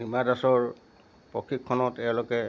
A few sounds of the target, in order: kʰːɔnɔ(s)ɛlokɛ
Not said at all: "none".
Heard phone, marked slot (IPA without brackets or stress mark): t